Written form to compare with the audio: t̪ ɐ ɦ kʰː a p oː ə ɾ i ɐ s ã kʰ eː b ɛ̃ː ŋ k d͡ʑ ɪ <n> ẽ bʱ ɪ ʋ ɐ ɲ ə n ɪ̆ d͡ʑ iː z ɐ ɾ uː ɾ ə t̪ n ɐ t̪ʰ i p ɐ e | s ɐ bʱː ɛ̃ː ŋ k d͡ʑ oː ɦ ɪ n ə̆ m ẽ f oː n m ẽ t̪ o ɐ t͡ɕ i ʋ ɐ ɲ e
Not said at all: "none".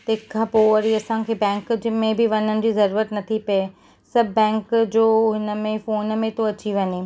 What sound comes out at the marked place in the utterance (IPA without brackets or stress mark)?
m